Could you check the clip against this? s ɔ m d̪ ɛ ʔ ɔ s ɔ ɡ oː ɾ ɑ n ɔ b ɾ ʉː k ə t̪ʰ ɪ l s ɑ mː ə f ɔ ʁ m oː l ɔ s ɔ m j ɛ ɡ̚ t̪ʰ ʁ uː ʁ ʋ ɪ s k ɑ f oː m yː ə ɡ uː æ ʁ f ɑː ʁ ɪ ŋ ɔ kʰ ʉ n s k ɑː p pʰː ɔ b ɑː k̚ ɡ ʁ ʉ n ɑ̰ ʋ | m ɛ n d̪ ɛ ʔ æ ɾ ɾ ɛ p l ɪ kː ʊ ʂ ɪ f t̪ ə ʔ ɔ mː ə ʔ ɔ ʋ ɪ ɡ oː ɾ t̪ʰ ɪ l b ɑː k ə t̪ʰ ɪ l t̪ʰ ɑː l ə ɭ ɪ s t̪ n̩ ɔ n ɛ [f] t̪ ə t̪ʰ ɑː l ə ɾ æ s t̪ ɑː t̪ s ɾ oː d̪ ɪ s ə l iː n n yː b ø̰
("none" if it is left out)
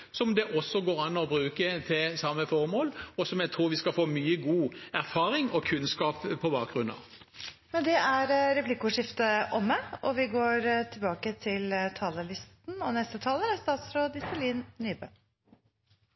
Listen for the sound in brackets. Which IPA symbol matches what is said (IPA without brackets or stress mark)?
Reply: s